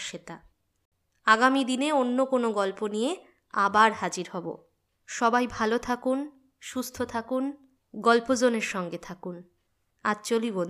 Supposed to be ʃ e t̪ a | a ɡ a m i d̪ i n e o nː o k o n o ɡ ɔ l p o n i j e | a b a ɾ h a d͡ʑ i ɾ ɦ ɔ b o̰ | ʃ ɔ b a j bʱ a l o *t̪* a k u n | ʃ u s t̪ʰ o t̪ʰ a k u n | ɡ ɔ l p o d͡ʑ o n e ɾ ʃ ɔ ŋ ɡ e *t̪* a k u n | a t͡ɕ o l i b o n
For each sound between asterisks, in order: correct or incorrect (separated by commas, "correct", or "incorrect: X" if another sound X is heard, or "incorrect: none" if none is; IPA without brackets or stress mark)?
incorrect: t̪ʰ, incorrect: t̪ʰ